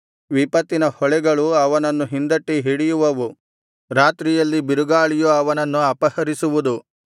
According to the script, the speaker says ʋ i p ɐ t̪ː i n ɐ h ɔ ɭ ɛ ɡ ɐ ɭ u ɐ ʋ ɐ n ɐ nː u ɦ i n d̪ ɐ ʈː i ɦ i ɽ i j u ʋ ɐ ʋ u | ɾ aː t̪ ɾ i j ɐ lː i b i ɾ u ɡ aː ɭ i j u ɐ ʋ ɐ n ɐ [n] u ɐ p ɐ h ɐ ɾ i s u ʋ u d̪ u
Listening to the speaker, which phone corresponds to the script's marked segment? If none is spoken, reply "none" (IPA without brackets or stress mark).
nː